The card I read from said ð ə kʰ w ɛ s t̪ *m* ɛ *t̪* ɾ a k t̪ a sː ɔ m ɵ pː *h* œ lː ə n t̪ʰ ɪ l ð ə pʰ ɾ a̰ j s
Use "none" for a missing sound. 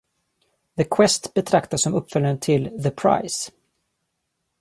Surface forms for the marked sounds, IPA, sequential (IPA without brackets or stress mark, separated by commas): b, t̪ʰ, f